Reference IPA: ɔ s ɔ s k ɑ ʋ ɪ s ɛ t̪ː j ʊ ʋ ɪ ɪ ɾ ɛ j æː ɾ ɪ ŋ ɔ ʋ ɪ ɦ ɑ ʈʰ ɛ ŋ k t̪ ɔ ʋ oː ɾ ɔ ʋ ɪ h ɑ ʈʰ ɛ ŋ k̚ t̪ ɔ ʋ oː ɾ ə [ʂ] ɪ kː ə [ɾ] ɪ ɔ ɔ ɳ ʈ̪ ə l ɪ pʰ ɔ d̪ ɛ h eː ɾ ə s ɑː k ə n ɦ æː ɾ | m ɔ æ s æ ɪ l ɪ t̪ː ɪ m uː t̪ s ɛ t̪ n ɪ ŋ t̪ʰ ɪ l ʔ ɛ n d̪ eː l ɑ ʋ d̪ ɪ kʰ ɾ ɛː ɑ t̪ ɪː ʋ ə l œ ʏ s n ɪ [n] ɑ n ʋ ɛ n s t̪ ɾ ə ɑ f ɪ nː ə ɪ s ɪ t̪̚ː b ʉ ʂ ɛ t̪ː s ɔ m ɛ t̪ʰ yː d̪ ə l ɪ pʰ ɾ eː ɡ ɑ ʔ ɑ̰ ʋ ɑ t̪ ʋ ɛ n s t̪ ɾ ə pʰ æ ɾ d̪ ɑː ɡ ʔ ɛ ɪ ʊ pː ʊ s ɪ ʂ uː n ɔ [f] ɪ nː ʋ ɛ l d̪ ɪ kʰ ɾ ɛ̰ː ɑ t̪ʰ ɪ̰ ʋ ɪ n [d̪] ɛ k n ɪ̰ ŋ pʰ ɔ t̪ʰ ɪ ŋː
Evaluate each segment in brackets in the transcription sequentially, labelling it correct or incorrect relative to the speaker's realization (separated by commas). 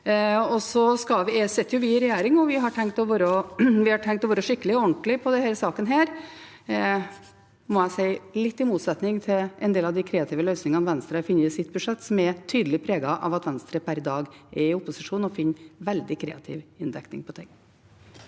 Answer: correct, incorrect, incorrect, correct, correct